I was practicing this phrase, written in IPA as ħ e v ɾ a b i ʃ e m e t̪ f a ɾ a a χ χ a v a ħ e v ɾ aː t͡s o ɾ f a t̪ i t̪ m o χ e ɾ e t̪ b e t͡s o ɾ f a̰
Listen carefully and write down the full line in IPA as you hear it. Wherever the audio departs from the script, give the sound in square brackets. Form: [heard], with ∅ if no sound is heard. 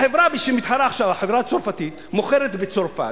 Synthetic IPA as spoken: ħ e v ɾ a b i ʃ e m [i] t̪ [ħ] a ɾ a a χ [ʃ] a v a ħ e v ɾ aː t͡s o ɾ f a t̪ i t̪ m o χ e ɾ e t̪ b e t͡s o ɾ f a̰